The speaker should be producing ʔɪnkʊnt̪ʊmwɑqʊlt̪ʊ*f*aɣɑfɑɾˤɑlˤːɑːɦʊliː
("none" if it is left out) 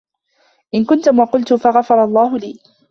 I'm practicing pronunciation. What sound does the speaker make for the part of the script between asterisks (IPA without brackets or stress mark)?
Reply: f